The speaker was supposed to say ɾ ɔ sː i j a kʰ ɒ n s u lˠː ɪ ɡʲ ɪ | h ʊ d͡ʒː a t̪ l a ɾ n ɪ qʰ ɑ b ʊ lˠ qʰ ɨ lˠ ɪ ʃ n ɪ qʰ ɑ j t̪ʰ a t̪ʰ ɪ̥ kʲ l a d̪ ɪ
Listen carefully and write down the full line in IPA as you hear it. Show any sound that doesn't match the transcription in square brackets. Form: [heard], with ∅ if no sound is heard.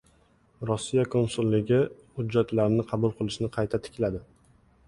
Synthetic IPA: ɾ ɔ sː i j a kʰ [o] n s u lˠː ɪ ɡʲ ɪ | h ʊ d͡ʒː a t̪ l a ɾ n ɪ qʰ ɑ b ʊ lˠ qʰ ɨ lˠ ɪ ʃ n ɪ qʰ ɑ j t̪ʰ a t̪ʰ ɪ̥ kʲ l a d̪ ɪ

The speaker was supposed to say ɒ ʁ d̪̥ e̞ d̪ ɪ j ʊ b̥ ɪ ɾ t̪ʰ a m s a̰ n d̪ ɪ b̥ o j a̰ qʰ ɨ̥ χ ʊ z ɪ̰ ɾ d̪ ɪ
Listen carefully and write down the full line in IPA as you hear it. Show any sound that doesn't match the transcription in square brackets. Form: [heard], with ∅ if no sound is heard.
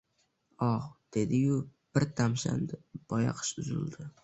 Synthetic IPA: ɒ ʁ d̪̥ e̞ d̪ ɪ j ʊ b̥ ɪ ɾ t̪ʰ a m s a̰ n d̪ ɪ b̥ [ɒ] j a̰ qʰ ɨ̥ [ʃ] ʊ z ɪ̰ [l] d̪ ɪ

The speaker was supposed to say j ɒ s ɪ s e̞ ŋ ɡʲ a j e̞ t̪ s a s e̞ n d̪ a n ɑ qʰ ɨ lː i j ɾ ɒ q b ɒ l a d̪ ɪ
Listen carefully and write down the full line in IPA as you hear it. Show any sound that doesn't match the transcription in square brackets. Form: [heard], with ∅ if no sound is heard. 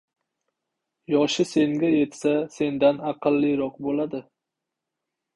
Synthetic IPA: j ɒ [ʃ] ɪ s e̞ ŋ ɡʲ a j e̞ t̪ s a s e̞ n d̪ a n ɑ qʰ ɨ lː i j ɾ ɒ q b [o] l a d̪ ɪ

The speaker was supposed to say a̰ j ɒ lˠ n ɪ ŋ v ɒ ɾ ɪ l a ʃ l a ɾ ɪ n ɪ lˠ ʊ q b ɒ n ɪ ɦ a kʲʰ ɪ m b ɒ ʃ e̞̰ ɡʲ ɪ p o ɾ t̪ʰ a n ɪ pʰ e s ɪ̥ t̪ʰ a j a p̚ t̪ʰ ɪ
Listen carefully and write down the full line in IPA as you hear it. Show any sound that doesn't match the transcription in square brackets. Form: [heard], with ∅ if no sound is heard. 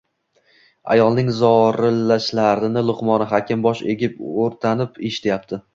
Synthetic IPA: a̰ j ɒ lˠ n ɪ ŋ [z] ɒ ɾ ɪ l a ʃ l a ɾ ɪ n ɪ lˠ ʊ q [m] ɒ n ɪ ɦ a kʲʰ ɪ m b ɒ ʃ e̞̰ ɡʲ ɪ p o ɾ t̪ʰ a n ɪ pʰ e [ʃ] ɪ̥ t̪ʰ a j a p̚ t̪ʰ ɪ

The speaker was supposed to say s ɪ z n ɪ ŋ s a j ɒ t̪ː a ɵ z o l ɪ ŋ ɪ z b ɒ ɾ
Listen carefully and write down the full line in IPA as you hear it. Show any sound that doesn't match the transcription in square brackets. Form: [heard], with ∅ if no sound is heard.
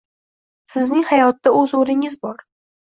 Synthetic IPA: s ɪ z n ɪ ŋ [h] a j ɒ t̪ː a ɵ z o [ɾ] ɪ ŋ ɪ z b ɒ ɾ

